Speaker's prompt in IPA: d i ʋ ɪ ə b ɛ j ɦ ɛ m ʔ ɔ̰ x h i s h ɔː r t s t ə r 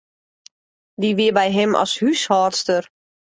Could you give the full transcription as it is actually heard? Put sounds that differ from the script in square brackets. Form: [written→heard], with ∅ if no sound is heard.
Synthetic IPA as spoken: d i ʋ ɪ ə b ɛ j ɦ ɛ m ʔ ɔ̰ [x→s] h [i→y] s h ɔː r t s t ə r